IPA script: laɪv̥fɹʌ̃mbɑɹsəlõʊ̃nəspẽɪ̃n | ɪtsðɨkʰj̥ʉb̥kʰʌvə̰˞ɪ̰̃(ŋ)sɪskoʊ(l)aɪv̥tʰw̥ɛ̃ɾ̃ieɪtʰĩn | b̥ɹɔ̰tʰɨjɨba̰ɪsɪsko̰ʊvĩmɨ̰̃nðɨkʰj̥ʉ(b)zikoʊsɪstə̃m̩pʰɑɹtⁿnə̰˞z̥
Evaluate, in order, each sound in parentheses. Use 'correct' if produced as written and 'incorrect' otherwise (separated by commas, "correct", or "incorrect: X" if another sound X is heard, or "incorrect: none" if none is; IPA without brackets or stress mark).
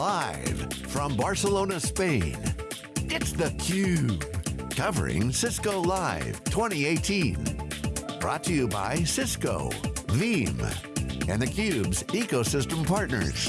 correct, correct, correct